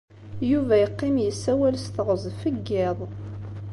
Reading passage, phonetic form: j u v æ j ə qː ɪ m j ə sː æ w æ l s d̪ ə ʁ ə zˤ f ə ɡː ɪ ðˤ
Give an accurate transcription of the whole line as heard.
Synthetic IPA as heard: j u v æ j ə qː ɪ m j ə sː æ w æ l s t̪ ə ʁ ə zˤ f ə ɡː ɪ ðˤ